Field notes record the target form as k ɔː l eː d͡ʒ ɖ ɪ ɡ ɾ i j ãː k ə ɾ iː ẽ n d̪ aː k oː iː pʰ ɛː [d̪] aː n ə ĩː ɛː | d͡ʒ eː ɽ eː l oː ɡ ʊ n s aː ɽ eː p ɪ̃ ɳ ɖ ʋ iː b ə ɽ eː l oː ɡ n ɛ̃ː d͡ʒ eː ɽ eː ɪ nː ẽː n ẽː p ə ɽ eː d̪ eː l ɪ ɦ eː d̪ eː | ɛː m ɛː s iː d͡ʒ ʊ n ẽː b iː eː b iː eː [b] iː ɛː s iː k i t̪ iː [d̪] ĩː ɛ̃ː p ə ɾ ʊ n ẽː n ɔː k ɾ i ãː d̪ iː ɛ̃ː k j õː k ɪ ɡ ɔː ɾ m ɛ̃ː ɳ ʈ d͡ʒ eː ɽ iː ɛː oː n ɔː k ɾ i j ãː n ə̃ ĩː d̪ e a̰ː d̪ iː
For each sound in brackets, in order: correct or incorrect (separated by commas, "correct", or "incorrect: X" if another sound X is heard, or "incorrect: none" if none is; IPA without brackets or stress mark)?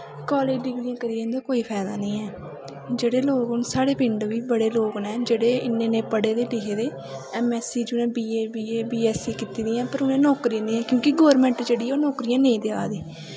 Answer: correct, correct, correct